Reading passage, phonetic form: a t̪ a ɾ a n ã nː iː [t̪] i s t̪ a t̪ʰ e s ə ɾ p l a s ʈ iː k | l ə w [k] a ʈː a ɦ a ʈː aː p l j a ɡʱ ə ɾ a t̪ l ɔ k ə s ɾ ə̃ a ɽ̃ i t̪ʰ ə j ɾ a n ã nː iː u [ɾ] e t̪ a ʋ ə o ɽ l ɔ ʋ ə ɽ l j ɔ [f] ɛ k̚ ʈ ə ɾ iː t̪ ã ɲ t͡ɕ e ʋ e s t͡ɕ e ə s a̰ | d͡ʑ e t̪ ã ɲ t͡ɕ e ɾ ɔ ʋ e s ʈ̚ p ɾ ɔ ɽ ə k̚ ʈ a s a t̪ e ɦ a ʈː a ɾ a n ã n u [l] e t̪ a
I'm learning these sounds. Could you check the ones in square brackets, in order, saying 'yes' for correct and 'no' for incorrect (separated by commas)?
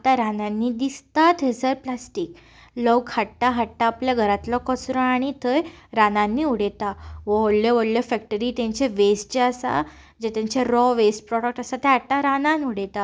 no, no, no, yes, no